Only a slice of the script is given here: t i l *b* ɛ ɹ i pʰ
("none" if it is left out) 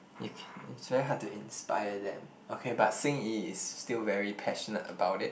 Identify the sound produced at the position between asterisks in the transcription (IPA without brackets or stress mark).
v